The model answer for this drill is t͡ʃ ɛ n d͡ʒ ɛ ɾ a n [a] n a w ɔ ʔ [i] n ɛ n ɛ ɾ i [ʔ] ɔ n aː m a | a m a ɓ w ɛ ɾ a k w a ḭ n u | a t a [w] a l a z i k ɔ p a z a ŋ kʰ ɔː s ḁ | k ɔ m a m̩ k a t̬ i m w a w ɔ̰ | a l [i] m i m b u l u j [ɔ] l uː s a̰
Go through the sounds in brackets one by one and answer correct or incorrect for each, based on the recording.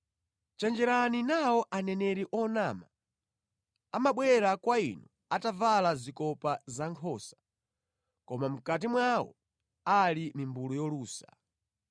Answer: incorrect: i, incorrect: a, correct, incorrect: v, correct, correct

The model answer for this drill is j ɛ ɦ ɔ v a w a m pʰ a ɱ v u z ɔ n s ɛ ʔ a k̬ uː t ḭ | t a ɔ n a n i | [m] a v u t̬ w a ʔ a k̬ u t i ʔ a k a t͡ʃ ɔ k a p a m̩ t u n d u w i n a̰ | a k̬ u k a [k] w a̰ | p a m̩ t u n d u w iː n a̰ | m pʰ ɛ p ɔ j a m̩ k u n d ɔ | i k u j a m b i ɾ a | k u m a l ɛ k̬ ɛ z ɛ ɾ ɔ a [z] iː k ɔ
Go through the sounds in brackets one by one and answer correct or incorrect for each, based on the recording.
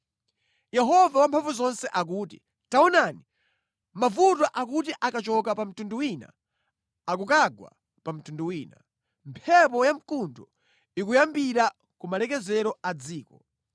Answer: correct, incorrect: ɡ, incorrect: d͡z

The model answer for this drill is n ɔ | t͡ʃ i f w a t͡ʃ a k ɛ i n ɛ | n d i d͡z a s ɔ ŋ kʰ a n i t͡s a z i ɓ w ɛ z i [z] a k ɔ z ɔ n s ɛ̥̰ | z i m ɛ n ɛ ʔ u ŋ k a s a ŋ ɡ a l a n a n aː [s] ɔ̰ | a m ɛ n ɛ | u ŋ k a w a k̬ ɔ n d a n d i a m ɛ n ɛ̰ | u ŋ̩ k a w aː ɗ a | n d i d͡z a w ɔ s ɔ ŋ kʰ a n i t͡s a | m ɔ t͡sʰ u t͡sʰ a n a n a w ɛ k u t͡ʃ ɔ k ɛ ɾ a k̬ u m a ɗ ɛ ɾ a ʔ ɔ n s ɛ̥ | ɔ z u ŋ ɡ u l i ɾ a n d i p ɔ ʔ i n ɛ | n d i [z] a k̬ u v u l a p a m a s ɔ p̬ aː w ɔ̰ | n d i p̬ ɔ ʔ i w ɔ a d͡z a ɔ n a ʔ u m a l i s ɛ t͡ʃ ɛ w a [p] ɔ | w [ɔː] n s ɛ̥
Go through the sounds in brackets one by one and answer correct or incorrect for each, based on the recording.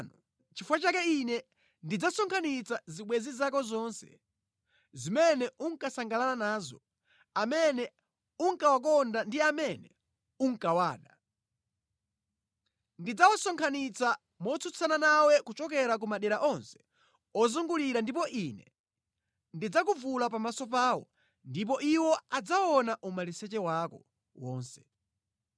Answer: correct, incorrect: z, incorrect: d͡z, incorrect: k, correct

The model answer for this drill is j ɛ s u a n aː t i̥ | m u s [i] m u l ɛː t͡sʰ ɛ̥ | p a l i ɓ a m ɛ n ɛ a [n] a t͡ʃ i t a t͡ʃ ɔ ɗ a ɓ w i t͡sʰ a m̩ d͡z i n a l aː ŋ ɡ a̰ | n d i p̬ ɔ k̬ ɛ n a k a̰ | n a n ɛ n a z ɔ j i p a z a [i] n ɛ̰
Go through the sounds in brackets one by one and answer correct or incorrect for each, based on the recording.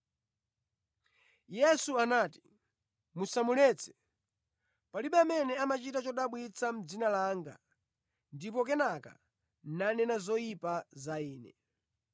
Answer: incorrect: a, incorrect: m, incorrect: iː

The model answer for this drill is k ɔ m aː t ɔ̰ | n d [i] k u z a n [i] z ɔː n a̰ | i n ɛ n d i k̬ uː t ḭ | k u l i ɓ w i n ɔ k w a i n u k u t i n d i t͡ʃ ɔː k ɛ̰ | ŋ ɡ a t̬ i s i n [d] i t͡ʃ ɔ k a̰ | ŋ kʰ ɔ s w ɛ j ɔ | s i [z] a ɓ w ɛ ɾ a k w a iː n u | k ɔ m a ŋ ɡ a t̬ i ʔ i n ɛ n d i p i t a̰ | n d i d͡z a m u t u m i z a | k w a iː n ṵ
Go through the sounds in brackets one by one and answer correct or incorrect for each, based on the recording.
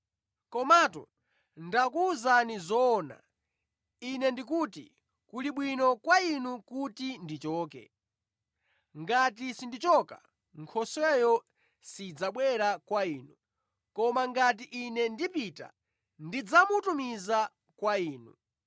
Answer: incorrect: a, correct, correct, incorrect: d͡z

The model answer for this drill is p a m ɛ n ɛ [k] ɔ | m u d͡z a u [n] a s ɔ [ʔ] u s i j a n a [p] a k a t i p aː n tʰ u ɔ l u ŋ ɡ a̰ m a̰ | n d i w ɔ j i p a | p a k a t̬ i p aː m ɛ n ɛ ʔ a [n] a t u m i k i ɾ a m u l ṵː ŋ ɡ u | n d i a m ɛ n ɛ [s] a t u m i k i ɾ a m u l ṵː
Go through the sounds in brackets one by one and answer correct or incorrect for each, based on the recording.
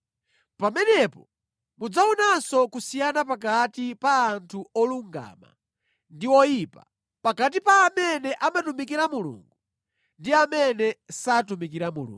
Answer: incorrect: p, correct, incorrect: k, correct, incorrect: m, correct

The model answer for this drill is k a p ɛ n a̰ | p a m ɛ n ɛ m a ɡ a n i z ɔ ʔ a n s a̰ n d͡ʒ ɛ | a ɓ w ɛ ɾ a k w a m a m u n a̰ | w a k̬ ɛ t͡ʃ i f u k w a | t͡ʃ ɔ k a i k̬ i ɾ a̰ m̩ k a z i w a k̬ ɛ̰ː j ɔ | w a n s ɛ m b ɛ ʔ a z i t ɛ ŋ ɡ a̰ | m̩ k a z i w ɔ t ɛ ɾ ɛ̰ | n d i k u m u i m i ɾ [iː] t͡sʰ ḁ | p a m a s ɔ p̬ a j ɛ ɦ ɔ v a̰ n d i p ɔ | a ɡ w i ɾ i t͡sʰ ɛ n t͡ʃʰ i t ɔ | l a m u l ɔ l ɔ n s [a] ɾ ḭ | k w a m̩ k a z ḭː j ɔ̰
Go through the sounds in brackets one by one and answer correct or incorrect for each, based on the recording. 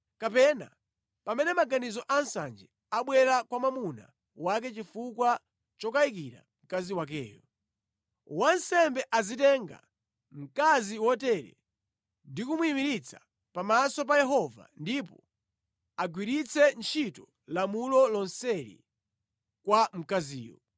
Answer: incorrect: i, incorrect: ɛ

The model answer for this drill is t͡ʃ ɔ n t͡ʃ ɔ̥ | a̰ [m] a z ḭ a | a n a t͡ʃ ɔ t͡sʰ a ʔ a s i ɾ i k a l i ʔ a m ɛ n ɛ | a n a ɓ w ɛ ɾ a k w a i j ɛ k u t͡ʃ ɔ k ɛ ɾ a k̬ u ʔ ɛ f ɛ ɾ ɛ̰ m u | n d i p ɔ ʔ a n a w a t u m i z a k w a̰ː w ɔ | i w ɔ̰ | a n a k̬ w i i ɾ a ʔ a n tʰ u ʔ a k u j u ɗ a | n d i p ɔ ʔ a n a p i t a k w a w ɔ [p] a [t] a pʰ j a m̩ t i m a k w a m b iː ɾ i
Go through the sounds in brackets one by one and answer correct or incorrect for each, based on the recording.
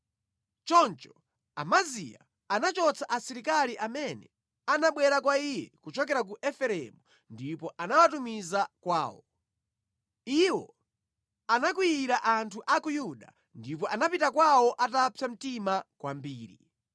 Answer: correct, incorrect: ʔ, correct

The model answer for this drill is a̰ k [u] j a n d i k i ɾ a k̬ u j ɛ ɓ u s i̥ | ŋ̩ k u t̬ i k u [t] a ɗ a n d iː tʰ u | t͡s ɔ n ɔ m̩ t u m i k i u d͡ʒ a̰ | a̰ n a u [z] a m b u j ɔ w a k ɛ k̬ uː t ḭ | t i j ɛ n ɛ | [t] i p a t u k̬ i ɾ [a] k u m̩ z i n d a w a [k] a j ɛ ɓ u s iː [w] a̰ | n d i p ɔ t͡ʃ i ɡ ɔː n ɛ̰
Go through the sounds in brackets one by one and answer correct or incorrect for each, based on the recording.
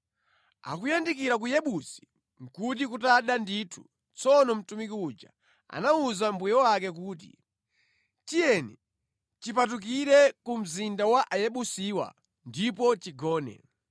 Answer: correct, correct, correct, incorrect: t͡ʃ, incorrect: ɛ, incorrect: ʔ, correct

